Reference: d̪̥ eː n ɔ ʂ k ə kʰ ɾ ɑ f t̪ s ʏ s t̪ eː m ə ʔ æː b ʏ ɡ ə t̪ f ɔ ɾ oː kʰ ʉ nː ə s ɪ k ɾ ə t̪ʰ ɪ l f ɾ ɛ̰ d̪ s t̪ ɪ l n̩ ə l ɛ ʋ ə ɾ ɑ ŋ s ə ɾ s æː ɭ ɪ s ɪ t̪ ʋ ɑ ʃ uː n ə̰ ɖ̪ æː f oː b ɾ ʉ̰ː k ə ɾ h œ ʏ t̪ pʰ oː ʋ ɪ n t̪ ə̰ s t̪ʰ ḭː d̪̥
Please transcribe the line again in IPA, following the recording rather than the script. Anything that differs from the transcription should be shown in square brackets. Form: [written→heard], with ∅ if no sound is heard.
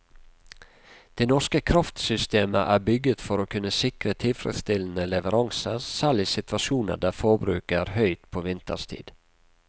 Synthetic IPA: d̪̥ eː n ɔ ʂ k ə kʰ ɾ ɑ f t̪ s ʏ s t̪ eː m ə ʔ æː b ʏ ɡ ə t̪ f ɔ ɾ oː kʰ ʉ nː ə s ɪ k ɾ ə t̪ʰ ɪ l f ɾ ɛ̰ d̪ s t̪ ɪ l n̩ ə l ɛ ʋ ə ɾ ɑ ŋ s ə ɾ s æː ɭ ɪ s ɪ t̪ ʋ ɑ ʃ uː n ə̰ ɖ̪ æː f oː b ɾ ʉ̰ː k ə ɾ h œ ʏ t̪ pʰ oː ʋ ɪ n t̪ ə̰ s t̪ʰ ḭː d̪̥